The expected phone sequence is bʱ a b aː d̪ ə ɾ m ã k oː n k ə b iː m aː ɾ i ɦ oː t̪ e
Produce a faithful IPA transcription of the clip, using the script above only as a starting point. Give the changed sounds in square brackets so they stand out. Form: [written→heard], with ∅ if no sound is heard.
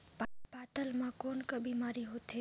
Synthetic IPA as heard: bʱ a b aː [d̪→t̪] ə [ɾ→l] m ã k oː n k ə b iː m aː ɾ i ɦ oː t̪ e